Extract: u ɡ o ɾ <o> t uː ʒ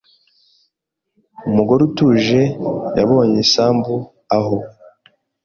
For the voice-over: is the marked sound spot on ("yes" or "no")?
no